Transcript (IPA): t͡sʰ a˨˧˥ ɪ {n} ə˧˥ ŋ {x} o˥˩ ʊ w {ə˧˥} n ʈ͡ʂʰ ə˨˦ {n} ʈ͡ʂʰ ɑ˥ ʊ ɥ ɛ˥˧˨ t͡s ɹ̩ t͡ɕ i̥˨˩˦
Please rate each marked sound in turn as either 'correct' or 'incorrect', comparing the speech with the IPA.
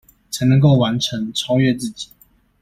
correct, incorrect, incorrect, incorrect

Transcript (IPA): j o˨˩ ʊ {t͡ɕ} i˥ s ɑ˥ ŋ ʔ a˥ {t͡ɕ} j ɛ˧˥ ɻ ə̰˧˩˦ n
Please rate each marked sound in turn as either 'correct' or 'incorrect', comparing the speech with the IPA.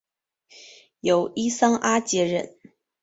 incorrect, correct

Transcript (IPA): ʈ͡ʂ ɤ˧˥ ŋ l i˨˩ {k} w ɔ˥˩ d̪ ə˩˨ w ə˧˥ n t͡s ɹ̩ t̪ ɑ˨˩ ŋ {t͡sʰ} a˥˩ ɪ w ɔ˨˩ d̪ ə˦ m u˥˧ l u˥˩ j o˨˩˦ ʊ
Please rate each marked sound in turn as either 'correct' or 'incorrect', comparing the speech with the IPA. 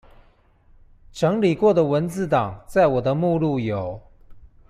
correct, incorrect

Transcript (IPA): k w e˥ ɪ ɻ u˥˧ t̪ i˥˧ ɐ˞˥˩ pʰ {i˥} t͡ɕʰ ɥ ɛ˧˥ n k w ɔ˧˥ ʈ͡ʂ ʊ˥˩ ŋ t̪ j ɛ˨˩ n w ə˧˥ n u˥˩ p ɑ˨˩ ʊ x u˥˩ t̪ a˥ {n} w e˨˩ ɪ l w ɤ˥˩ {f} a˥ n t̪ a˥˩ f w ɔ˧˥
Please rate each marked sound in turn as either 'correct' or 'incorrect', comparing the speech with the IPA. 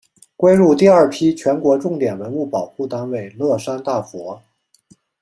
correct, correct, incorrect

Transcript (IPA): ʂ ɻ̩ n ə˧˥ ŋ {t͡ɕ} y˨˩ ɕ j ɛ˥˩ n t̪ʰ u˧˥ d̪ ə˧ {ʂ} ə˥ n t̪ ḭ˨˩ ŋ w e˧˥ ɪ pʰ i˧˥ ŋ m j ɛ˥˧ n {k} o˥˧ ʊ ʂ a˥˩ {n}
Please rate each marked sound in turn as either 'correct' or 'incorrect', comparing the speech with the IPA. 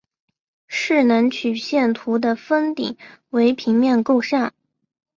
incorrect, incorrect, correct, correct

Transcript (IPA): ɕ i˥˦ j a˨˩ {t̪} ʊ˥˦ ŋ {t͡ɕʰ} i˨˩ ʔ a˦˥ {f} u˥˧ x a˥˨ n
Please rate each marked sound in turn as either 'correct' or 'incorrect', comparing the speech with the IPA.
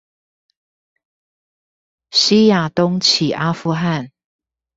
correct, correct, correct

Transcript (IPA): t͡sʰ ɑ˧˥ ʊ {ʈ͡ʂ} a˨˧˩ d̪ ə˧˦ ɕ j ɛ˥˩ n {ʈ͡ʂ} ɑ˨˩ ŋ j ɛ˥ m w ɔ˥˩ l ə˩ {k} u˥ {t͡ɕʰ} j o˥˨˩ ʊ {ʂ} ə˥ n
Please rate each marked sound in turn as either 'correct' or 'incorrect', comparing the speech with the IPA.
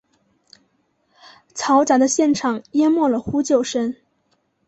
correct, incorrect, incorrect, incorrect, correct

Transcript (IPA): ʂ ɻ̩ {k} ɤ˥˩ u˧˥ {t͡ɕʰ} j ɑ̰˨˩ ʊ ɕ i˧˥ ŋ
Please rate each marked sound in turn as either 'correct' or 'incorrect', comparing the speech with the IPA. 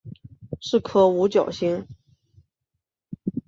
incorrect, incorrect

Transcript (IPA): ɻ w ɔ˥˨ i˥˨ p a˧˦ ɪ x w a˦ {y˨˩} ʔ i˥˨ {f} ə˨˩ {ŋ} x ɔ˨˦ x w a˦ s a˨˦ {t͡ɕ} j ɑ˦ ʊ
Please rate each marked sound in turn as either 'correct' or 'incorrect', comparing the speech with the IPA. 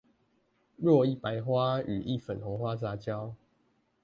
correct, correct, incorrect, correct

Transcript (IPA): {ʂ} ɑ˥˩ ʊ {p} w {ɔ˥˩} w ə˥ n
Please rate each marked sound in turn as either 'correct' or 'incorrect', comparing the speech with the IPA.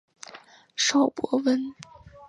correct, correct, incorrect

